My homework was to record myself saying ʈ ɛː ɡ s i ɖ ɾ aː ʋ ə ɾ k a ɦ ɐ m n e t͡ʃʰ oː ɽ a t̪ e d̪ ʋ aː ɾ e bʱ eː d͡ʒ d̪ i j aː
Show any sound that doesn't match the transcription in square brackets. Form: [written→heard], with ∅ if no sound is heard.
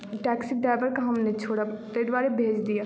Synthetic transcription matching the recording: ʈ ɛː [ɡ→k] s i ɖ ɾ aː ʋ ə ɾ k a ɦ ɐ m n e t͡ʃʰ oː ɽ a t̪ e d̪ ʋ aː ɾ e bʱ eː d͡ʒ d̪ i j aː